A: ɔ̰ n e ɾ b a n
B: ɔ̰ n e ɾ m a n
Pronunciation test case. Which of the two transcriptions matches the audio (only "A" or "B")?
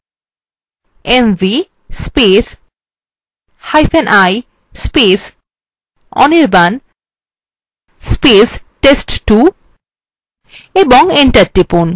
A